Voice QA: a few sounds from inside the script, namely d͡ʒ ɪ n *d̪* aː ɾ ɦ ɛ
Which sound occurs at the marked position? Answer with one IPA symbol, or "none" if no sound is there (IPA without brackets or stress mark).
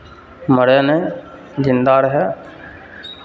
d̪